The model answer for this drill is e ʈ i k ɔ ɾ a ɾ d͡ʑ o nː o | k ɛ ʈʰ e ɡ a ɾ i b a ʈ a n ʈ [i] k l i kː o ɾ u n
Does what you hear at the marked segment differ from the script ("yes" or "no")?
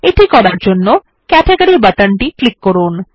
no